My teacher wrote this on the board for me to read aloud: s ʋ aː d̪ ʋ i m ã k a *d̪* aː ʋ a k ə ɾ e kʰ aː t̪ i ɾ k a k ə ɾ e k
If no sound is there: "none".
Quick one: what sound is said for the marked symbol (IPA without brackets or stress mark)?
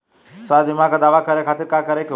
d̪